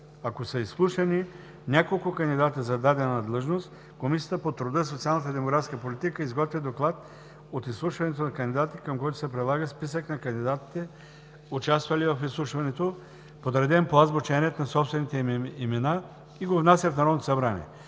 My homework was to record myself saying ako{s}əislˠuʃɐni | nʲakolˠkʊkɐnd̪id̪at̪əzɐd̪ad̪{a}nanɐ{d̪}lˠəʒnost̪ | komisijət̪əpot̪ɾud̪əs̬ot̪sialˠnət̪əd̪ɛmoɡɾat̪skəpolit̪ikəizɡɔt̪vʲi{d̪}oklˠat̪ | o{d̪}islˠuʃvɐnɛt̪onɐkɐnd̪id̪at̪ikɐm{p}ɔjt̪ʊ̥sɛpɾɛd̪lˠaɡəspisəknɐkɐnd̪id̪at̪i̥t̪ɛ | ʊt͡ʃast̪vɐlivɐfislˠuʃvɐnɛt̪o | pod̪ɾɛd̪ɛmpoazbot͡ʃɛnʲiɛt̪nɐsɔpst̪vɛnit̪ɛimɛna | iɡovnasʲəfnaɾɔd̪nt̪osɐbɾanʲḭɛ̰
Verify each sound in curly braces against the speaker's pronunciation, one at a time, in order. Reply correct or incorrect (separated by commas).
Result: correct, incorrect, correct, correct, incorrect, incorrect